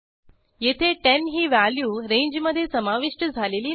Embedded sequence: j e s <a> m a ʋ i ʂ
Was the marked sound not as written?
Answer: yes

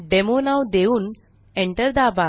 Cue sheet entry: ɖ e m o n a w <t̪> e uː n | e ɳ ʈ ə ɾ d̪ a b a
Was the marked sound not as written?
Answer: yes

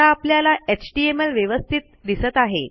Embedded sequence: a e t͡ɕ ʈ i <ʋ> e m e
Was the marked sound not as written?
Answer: yes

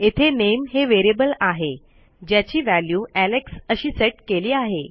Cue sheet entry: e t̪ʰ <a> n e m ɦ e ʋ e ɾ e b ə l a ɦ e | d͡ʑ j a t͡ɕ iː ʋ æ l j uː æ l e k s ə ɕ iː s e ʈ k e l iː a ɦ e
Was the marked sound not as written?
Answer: yes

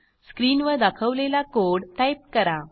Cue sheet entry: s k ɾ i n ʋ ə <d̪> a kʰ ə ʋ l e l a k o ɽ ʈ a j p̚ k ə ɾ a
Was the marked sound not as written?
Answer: no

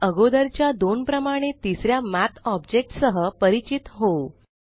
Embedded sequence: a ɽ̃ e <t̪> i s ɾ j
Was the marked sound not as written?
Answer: no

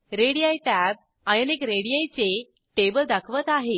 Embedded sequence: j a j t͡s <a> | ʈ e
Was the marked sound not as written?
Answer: yes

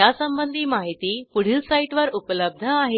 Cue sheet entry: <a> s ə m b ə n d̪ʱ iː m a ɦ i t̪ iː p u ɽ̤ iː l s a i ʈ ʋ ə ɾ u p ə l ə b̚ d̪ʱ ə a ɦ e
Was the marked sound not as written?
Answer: no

